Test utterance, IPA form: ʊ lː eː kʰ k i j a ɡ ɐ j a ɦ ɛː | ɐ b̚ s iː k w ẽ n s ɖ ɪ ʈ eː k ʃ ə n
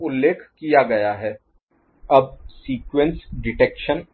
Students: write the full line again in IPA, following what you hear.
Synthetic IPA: ʊ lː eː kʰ k i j a ɡ ɐ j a ɦ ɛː | ɐ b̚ s iː k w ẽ n s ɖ ɪ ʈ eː k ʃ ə n

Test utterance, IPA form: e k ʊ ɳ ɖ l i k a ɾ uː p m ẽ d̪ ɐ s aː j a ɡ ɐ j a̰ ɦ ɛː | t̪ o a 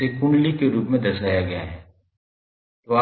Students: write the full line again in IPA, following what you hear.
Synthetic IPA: e k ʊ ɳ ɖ l i k e ɾ uː p m ẽ d̪ ɐ s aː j a ɡ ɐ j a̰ ɦ ɛː | t̪ o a

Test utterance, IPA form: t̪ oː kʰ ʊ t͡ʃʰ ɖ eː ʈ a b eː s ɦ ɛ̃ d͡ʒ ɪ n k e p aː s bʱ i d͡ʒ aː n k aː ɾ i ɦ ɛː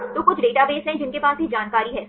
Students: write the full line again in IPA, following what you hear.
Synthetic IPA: t̪ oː k ʊ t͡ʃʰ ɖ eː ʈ a b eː s ɦ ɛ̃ d͡ʒ ɪ n k e p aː s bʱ i d͡ʒ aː n k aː ɾ i ɦ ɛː

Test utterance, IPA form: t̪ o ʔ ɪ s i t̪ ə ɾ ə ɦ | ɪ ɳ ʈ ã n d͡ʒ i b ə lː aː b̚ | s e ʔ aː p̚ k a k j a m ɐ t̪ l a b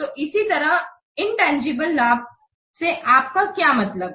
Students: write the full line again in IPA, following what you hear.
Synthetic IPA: t̪ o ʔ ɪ s i t̪ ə ɾ ə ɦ | ɪ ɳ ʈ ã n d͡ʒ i b ə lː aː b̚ | s e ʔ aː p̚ k a k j a m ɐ t̪ l ə b

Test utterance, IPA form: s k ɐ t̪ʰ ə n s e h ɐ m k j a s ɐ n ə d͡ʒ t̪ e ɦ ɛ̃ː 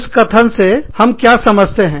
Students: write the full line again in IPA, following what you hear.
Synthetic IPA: s k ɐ t̪ʰ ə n s e h ɐ m k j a s ɐ m ə d͡ʒ t̪ e ɦ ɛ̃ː

